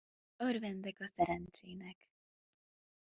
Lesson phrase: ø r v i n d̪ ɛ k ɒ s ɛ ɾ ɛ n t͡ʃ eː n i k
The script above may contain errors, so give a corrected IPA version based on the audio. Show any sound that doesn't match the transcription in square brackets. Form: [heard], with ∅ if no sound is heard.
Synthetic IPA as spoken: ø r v [ɛ] n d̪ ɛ k ɒ s ɛ ɾ ɛ n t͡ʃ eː n [ɛ] k